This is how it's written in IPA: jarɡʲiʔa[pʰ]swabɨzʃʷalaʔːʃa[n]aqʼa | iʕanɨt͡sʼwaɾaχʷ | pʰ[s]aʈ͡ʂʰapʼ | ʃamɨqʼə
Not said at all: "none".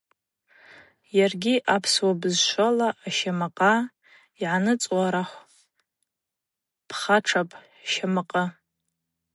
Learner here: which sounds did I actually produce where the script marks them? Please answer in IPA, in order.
pʰ, m, χ

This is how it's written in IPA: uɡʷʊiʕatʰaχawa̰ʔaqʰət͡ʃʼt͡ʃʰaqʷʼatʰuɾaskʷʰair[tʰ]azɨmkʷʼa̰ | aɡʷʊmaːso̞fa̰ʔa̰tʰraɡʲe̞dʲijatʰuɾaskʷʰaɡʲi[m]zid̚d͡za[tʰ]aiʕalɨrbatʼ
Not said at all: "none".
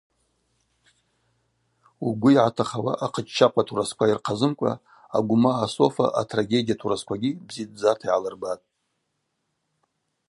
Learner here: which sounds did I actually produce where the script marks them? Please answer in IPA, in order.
qʰ, b, tʰ

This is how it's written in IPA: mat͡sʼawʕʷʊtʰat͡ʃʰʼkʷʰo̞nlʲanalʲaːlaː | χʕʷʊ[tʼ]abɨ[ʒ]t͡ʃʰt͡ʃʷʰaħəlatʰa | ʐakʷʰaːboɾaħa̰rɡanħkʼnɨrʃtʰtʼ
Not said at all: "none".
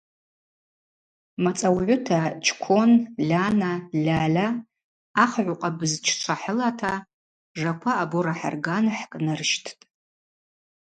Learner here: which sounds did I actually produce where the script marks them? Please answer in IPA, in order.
qʼ, z

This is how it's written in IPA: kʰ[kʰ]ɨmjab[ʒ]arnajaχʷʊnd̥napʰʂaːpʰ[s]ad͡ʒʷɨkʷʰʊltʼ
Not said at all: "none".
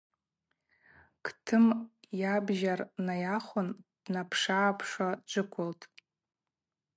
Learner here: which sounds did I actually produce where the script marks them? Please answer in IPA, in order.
tʰ, ʒ, ʂ

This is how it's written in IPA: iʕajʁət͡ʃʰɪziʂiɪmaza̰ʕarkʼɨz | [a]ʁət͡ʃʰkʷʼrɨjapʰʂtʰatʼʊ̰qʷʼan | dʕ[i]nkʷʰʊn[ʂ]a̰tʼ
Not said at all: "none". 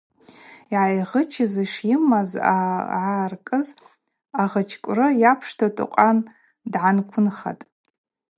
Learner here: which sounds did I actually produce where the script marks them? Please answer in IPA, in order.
a, a, χ

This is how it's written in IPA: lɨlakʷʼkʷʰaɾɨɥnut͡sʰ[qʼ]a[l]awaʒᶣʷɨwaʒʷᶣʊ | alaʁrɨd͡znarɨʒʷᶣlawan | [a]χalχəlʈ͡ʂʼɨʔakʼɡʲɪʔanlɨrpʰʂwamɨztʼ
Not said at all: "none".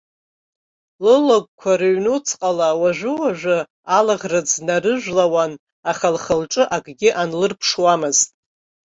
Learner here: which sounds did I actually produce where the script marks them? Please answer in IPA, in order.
qʼ, l, a

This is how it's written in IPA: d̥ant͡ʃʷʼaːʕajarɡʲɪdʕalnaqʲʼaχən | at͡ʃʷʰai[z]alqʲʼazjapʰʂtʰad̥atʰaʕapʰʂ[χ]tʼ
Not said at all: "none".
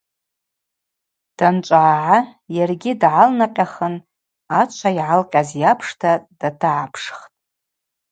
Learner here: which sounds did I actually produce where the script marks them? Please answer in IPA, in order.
ʕ, χ

